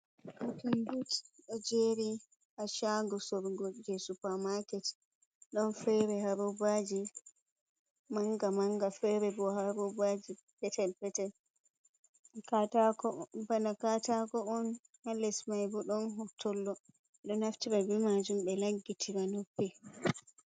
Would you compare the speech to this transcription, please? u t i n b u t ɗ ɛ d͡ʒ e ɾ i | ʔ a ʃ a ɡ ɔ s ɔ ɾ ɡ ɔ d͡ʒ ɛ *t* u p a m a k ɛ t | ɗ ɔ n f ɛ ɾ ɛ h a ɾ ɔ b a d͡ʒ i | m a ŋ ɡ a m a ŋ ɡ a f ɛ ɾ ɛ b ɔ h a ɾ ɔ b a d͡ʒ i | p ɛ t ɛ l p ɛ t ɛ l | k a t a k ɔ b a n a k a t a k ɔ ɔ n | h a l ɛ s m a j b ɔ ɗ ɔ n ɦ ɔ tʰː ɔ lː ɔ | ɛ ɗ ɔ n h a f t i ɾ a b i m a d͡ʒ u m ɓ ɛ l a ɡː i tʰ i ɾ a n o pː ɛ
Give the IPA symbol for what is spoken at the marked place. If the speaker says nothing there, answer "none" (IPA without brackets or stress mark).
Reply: s